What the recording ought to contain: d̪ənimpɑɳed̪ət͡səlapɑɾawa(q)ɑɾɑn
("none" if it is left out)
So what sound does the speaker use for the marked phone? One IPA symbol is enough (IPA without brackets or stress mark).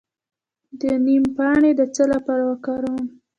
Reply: k